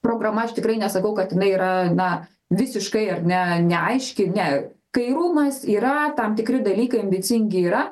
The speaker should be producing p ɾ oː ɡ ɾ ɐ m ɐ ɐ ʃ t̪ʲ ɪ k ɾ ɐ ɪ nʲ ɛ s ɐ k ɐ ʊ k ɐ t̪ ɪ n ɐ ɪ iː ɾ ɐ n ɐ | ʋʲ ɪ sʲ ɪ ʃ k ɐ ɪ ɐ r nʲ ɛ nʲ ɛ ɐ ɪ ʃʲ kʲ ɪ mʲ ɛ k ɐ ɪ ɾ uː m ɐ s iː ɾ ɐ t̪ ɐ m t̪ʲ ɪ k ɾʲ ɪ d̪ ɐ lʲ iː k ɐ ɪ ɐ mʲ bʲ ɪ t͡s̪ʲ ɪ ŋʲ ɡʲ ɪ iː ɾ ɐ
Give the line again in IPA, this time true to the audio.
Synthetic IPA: p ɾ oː ɡ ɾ ɐ m ɐ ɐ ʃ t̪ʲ ɪ k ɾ ɐ ɪ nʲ ɛ s ɐ k ɐ ʊ k ɐ t̪ ɪ n ɐ ɪ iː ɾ ɐ n ɐ | ʋʲ ɪ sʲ ɪ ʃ k ɐ ɪ ɐ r nʲ ɛ nʲ ɛ ɐ ɪ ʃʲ kʲ ɪ nʲ ɛ k ɐ ɪ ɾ uː m ɐ s iː ɾ ɐ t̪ ɐ m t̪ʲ ɪ k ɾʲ ɪ d̪ ɐ lʲ iː k ɐ ɪ ɐ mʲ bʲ ɪ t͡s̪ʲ ɪ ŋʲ ɡʲ ɪ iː ɾ ɐ